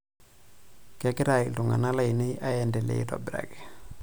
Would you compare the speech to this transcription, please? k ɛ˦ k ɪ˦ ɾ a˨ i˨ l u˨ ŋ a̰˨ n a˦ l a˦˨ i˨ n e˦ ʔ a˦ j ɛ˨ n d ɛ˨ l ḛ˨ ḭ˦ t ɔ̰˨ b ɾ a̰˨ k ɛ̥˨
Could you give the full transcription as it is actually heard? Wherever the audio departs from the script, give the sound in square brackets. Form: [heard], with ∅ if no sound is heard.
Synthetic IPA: k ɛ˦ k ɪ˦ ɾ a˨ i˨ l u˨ ŋ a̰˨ n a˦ l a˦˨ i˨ n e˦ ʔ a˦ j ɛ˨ n d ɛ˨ l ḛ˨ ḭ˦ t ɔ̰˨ b ɾ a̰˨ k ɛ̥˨